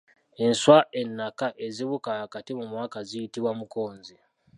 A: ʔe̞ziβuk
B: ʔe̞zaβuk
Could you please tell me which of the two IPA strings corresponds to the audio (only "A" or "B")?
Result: A